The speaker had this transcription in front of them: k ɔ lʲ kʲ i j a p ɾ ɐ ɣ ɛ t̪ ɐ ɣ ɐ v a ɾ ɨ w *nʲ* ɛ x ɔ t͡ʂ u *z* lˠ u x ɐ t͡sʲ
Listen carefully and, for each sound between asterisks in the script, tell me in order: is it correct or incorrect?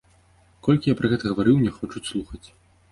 correct, incorrect

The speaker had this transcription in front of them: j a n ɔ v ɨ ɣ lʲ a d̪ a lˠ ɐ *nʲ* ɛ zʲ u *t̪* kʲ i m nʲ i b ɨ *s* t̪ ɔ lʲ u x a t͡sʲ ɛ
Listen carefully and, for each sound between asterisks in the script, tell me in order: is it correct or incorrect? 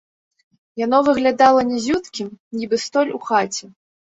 correct, correct, correct

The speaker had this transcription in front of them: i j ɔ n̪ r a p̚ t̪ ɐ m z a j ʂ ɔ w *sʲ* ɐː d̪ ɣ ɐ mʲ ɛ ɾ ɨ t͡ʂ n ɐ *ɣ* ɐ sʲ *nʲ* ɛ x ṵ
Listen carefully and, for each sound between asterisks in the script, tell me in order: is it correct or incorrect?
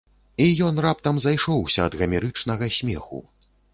correct, correct, incorrect

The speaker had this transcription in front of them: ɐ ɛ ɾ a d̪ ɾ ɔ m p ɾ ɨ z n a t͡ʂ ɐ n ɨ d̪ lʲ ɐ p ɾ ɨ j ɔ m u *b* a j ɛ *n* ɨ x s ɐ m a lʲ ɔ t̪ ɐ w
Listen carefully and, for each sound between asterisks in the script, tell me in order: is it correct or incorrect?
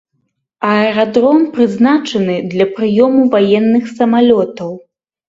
incorrect, incorrect

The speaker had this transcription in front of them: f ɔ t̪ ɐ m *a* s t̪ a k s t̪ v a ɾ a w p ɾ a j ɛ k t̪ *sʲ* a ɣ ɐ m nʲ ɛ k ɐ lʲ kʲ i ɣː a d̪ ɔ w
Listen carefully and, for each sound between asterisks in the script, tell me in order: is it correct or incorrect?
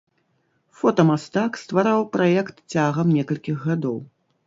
correct, incorrect

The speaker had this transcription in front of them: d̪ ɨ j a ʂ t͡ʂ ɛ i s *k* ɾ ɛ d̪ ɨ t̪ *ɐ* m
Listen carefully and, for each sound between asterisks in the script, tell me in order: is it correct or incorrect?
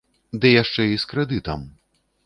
correct, correct

